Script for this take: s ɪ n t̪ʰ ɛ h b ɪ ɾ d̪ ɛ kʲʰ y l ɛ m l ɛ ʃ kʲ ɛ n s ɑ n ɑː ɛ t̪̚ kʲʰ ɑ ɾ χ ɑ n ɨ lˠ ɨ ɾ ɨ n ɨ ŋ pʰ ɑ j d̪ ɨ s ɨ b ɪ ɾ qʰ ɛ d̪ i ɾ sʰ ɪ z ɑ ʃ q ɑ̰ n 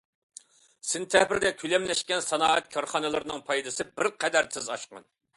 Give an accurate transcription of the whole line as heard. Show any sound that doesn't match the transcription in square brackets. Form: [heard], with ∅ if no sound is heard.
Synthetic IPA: s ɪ n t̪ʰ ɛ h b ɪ ɾ d̪ ɛ kʲʰ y l ɛ m l ɛ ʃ kʲ ɛ n s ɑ n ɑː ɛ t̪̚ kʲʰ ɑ ɾ χ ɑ n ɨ lˠ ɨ ɾ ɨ n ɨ ŋ pʰ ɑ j d̪ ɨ s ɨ b ɪ ɾ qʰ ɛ d̪ [æ] ɾ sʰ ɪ z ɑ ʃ q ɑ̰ n